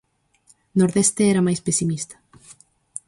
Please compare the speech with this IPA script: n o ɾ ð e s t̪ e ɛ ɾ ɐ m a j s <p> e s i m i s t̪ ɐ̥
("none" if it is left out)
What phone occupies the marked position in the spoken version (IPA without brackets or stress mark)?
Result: p